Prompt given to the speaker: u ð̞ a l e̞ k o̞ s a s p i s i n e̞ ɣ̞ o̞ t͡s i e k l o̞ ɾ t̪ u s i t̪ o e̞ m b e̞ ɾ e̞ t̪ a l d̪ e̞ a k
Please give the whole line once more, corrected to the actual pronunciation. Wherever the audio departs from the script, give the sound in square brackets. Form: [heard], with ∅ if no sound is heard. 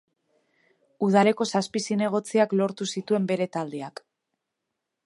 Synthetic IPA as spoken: u ð̞ a l e̞ k o̞ s a s p i s i n e̞ ɣ̞ o̞ t͡s i [a] k l o̞ ɾ t̪ u s i t̪ [u] e̞ m b e̞ ɾ e̞ t̪ a l d̪ e̞ a k